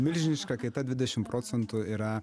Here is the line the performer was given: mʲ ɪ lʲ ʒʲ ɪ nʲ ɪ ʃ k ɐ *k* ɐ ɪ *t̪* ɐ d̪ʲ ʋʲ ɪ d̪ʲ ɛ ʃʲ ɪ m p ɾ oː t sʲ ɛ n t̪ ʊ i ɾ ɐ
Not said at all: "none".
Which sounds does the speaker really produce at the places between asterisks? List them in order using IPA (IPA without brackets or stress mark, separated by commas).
k, t̪